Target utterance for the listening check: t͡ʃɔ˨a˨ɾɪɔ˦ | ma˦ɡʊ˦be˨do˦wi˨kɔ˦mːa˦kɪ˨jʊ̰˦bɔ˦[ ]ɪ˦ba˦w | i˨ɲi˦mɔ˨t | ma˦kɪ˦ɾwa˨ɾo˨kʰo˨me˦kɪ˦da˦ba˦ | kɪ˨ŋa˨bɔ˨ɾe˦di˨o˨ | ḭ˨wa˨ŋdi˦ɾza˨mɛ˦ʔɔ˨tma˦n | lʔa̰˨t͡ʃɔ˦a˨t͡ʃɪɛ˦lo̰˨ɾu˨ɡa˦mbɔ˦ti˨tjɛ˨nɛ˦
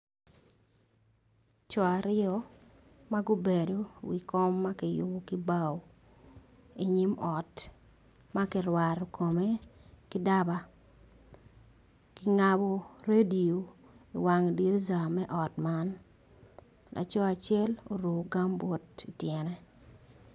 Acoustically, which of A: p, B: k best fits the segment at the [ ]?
B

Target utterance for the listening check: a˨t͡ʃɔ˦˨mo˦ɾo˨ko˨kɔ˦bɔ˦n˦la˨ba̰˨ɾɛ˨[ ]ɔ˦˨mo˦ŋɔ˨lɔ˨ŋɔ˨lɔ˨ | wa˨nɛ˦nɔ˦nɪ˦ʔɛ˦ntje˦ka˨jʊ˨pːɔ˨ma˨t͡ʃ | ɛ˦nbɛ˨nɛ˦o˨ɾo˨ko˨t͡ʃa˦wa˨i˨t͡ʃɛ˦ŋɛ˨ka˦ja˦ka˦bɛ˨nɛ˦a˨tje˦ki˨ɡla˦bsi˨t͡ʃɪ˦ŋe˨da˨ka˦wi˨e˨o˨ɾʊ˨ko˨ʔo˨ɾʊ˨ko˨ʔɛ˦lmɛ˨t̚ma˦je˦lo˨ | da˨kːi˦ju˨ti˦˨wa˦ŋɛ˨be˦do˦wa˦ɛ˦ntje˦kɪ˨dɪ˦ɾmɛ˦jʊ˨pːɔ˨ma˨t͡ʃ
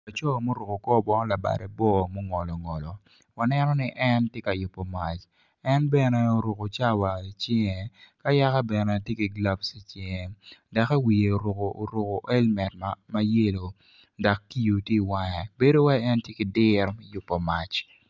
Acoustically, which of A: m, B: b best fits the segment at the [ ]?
B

